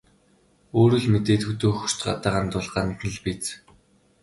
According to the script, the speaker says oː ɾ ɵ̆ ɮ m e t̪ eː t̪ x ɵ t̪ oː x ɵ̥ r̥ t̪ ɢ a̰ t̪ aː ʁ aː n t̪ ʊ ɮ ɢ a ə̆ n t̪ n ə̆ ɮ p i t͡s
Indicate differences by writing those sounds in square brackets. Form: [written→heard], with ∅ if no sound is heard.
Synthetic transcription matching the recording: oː ɾ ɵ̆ ɮ m e t̪ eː t̪ x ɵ t̪ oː x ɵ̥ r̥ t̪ ɢ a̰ t̪ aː ʁ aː n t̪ ʊ ɮ ɢ a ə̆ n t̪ n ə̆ ɮ p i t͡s